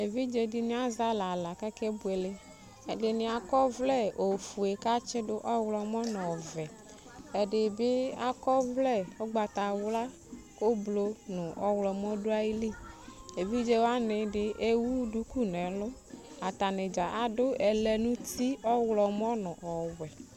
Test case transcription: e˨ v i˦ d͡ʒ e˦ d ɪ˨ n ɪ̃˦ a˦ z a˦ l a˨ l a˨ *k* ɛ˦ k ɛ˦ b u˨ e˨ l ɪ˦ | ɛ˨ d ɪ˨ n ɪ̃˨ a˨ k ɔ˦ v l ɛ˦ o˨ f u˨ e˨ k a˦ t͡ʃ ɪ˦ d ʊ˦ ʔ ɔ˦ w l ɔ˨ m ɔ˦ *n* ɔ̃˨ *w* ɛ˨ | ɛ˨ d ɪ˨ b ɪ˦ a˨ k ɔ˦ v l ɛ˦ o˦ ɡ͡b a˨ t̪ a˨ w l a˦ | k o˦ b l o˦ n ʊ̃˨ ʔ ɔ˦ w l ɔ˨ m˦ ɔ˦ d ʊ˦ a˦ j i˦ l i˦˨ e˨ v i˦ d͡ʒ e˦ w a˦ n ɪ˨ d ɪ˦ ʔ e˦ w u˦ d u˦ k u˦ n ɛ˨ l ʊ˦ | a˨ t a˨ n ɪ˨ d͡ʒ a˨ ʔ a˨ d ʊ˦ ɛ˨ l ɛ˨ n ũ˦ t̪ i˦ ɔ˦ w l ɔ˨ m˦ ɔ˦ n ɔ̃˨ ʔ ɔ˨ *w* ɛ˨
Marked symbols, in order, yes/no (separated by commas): yes, yes, no, yes